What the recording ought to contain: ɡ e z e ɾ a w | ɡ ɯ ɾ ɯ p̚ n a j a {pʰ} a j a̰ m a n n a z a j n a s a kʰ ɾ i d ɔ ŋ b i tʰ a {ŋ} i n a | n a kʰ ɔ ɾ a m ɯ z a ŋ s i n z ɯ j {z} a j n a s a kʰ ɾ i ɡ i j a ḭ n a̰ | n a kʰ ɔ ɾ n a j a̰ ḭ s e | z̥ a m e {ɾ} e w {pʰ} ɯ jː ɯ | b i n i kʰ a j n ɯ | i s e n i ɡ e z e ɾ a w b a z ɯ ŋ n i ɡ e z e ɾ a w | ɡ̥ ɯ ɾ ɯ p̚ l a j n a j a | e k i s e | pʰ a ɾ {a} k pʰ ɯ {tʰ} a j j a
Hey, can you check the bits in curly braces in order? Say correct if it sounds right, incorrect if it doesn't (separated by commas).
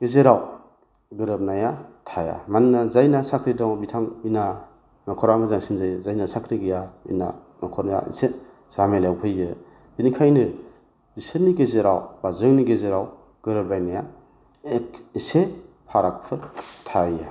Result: incorrect, correct, correct, incorrect, correct, correct, correct